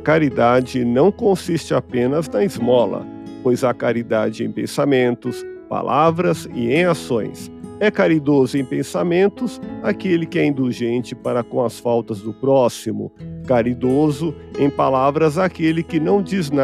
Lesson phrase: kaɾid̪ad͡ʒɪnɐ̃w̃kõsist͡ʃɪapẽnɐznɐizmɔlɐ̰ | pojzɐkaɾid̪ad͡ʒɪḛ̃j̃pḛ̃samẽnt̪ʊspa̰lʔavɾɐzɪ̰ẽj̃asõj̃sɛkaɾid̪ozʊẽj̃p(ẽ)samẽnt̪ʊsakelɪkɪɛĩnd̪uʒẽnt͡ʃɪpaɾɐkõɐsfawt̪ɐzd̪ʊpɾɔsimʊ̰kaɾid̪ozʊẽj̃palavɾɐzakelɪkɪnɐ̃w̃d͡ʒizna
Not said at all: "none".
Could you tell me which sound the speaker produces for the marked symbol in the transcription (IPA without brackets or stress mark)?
ẽ